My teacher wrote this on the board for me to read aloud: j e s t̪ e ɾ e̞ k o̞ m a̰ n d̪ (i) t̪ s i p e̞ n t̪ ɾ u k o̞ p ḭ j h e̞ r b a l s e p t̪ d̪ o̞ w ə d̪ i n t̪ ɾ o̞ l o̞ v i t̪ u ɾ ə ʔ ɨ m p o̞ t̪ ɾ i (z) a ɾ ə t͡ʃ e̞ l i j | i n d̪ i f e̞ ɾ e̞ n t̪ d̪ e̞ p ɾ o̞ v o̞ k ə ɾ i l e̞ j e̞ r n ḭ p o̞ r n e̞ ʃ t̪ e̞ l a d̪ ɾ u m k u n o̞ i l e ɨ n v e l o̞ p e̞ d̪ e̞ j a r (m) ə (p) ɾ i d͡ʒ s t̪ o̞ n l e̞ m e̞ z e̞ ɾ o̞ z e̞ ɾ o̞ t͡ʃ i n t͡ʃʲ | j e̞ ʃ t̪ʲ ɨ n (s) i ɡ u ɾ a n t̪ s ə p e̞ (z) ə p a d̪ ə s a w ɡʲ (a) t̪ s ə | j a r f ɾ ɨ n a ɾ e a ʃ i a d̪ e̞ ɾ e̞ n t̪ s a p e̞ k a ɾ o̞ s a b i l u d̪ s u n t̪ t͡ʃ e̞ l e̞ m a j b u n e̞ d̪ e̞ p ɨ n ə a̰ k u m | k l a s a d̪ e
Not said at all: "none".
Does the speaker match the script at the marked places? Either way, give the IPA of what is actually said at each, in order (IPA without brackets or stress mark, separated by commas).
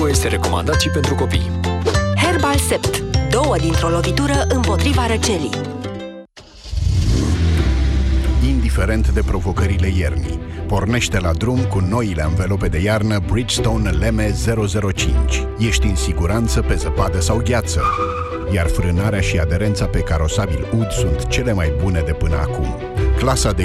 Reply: a, v, n, b, s, z, a